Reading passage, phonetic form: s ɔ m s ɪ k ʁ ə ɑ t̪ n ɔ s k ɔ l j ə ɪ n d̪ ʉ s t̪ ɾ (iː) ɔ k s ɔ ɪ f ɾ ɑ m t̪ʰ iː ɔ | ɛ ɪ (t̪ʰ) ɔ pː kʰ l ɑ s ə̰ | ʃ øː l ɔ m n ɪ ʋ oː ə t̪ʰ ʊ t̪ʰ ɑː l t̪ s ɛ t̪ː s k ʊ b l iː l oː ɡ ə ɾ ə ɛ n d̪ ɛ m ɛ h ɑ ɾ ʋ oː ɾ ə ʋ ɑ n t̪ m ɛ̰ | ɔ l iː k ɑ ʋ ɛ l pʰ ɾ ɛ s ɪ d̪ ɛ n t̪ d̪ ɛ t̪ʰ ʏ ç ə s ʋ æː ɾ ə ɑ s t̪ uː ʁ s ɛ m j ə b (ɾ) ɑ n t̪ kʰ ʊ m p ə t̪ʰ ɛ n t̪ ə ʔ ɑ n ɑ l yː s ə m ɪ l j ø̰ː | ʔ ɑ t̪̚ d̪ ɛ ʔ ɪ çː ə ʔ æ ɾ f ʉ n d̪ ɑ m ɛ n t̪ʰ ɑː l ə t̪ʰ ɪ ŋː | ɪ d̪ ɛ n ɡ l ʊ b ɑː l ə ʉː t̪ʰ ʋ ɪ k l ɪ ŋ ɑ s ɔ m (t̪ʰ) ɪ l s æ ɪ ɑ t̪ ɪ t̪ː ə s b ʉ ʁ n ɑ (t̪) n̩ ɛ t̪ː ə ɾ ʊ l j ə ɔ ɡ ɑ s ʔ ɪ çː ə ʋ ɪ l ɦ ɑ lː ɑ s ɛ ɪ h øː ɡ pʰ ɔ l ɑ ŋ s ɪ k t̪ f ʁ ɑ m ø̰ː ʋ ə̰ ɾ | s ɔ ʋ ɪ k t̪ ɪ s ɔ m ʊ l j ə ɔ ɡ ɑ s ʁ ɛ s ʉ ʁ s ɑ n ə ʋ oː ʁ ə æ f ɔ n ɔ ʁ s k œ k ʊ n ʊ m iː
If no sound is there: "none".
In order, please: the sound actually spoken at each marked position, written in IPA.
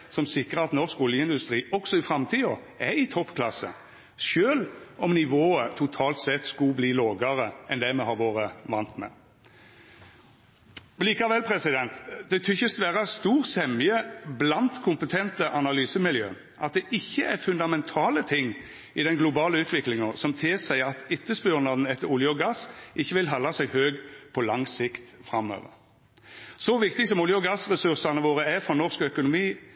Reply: iː, t̪ʰ, l, t̪ʰ, d̪

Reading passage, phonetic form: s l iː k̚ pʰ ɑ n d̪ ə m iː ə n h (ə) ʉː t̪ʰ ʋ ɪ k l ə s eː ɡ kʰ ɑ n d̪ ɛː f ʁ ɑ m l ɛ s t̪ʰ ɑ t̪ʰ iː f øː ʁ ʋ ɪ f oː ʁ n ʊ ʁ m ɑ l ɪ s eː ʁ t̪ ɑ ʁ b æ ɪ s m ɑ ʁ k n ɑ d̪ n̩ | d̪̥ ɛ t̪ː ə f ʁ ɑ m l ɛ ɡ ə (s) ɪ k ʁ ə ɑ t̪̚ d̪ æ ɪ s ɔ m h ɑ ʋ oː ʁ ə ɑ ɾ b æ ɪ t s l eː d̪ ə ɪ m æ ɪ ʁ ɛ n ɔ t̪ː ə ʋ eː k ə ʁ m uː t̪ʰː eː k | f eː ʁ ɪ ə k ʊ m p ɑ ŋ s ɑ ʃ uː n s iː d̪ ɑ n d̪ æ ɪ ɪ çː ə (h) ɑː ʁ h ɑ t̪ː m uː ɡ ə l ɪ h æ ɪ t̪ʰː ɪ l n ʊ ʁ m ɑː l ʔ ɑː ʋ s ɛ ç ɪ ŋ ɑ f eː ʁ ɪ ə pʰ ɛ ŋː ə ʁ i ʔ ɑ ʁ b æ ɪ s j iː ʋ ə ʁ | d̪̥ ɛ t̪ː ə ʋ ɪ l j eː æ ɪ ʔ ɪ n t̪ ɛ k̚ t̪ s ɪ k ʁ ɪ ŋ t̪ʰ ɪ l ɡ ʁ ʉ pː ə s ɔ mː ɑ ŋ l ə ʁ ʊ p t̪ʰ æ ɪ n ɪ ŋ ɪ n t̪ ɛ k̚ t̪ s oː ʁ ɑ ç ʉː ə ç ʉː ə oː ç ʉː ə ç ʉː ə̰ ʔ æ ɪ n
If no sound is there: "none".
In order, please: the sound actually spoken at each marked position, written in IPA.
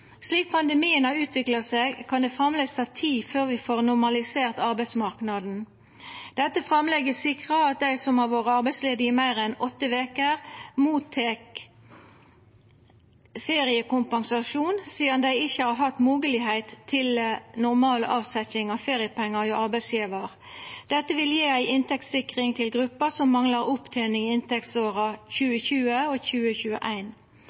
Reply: ɑ, s, h

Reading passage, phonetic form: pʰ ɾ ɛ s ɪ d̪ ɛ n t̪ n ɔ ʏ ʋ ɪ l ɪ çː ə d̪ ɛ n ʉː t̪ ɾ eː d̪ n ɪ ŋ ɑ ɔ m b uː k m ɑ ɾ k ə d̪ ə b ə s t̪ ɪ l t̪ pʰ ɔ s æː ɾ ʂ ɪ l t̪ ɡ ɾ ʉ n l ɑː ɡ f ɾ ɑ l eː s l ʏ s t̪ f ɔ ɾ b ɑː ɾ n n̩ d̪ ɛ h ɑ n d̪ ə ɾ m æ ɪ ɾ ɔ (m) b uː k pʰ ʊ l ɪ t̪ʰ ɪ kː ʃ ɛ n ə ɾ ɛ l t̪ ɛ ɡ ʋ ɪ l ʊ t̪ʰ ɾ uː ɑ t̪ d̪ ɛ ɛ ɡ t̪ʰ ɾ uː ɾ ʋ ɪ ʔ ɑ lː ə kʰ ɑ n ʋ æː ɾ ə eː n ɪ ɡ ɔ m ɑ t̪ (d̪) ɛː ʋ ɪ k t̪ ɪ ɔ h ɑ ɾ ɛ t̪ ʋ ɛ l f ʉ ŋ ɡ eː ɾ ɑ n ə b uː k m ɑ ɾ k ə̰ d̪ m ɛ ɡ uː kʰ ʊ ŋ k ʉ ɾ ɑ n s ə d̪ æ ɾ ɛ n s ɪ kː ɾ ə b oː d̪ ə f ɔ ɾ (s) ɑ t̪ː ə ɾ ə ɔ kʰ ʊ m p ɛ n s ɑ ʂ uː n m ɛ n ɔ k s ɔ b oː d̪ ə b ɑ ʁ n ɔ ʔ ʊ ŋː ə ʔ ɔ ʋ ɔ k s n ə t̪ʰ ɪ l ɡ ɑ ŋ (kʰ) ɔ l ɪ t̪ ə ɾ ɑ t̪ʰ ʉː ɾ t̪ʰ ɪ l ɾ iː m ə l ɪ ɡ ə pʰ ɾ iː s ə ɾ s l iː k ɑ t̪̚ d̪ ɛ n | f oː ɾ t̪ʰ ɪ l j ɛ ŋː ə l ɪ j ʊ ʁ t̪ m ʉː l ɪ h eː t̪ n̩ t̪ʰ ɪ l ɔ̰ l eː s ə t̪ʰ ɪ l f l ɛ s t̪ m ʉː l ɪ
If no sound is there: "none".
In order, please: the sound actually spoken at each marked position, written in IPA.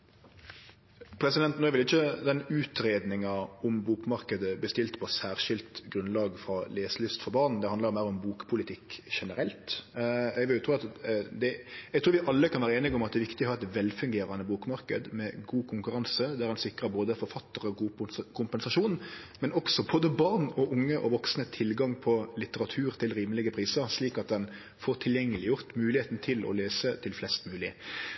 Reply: m, d̪, f, pʰ

